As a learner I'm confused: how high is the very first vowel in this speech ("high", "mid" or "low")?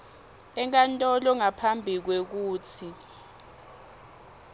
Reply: mid